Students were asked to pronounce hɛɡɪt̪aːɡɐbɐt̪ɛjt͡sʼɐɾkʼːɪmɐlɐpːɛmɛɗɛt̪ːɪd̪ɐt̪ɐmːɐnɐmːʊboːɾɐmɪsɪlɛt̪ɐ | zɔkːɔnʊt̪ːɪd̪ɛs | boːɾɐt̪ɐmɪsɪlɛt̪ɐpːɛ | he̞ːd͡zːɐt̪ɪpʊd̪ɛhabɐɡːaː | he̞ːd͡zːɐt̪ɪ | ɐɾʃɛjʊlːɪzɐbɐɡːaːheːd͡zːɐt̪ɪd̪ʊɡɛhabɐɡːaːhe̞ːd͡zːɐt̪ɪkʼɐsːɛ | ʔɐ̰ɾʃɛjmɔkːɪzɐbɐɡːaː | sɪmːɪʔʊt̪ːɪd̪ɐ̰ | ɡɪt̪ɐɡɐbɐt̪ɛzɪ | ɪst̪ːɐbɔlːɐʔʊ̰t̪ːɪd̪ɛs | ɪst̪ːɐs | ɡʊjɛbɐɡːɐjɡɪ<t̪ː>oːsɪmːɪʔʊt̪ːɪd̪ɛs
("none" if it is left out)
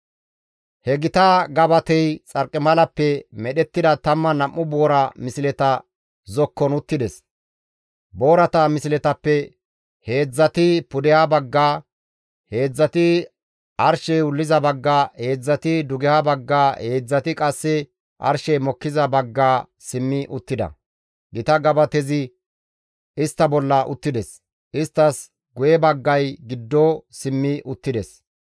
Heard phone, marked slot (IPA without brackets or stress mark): d̪ː